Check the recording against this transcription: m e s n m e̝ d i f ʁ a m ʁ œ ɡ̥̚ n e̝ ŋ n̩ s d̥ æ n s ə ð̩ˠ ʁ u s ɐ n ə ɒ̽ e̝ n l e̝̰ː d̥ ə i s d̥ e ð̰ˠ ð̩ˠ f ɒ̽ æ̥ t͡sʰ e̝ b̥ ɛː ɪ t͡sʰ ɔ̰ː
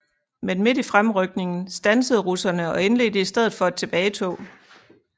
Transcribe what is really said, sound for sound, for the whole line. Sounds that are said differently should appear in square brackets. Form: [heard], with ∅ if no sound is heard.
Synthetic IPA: m e [∅] n m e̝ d i f ʁ a m ʁ œ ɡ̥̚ n e̝ ŋ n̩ s d̥ æ n s ə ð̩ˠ ʁ u s ɐ n ə ɒ̽ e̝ n l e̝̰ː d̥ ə i s d̥ e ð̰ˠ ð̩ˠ f ɒ̽ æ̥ t͡sʰ e̝ b̥ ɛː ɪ t͡sʰ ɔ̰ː